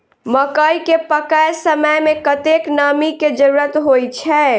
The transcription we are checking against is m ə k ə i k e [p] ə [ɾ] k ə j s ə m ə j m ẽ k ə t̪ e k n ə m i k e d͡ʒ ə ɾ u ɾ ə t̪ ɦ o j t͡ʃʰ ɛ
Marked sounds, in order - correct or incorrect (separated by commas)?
correct, incorrect